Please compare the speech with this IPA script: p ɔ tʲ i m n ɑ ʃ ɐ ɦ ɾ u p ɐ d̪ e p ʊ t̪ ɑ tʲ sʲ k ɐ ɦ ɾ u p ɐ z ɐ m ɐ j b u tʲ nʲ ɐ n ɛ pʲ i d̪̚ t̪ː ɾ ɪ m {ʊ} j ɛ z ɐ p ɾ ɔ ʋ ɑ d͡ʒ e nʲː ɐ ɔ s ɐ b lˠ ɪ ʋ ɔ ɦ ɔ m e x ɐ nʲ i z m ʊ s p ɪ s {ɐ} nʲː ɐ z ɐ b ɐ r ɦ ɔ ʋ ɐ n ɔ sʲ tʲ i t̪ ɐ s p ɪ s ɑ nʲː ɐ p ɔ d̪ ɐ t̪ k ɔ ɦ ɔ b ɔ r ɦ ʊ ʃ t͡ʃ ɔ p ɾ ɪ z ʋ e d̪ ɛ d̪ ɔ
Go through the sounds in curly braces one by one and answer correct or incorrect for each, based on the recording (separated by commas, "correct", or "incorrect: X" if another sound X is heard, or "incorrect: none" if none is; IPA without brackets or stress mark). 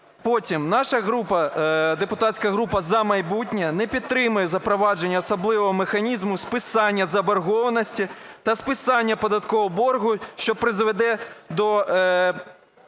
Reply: correct, incorrect: ɑ